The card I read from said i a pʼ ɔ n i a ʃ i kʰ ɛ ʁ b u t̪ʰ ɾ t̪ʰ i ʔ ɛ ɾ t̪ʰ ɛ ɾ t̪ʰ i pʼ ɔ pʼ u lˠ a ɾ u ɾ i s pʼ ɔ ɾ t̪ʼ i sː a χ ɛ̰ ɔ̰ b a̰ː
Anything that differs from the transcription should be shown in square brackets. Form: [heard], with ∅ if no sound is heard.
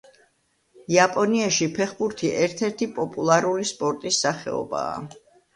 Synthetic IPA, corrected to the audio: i a pʼ ɔ n i a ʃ i [pʰ] ɛ [χ] b u [∅] ɾ t̪ʰ i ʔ ɛ ɾ t̪ʰ ɛ ɾ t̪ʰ i pʼ ɔ pʼ u lˠ a ɾ u [l] i s pʼ ɔ ɾ t̪ʼ i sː a χ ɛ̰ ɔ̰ b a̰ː